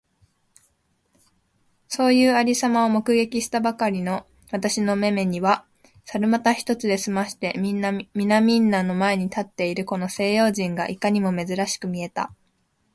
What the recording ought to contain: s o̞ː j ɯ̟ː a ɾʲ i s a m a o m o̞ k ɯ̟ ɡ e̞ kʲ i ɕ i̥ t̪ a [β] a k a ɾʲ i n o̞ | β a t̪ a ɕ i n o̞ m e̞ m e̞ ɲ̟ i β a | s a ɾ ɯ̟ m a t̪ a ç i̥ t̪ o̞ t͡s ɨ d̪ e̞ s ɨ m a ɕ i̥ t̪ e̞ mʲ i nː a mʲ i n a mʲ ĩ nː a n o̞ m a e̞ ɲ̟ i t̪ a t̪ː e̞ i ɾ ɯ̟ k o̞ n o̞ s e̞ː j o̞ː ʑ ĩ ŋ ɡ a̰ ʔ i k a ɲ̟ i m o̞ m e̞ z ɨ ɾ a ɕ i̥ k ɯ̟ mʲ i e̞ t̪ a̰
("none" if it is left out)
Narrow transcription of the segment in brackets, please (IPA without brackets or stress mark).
b